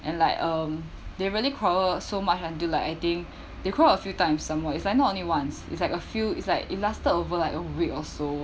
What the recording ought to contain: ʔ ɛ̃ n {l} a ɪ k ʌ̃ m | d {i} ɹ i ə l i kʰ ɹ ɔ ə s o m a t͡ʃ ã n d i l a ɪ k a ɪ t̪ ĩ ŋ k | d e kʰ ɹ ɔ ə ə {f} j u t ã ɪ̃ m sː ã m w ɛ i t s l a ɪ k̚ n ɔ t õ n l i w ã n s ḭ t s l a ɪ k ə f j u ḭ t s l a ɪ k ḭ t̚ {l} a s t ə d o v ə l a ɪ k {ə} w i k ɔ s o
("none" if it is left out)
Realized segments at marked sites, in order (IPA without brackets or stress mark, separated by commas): l, e, f, l, ə